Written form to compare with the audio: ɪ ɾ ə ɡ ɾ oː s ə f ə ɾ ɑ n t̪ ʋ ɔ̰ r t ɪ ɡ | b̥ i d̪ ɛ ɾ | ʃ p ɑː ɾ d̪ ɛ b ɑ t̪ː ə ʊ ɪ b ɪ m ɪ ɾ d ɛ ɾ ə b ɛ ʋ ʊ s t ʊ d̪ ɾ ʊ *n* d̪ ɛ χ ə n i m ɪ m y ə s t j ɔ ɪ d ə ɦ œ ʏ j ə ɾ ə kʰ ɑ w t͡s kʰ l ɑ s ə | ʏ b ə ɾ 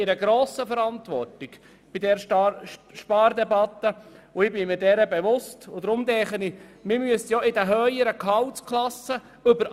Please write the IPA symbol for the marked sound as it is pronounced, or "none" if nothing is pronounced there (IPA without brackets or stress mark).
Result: m